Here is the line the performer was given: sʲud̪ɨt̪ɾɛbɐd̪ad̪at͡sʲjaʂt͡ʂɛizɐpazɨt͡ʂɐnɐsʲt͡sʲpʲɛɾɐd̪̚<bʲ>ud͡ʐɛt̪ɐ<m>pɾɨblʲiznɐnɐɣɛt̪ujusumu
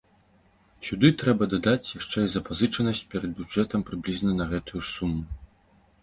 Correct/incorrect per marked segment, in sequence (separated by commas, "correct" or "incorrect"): correct, correct